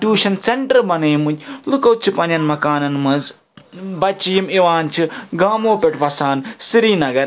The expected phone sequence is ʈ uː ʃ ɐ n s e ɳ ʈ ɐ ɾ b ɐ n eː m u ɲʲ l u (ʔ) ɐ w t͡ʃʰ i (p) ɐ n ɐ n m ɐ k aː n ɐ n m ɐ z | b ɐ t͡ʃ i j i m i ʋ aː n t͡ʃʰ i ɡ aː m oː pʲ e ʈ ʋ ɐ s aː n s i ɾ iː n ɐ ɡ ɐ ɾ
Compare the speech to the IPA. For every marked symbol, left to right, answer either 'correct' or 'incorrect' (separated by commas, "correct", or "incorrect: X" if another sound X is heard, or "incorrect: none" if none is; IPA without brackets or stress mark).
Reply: incorrect: k, correct